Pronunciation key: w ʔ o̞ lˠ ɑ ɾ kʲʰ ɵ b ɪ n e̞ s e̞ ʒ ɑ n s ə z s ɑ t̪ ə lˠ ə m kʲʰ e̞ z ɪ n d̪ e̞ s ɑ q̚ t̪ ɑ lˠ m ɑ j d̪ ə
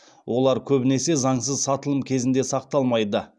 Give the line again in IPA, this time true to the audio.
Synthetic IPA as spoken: w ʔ o̞ lˠ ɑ ɾ kʲʰ ɵ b ɪ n e̞ s e̞ z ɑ ɴ s ə z s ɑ t̪ ə lˠ ə m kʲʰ e̞ z ɪ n d̪ e̞ s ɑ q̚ t̪ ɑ lˠ m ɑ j d̪ ə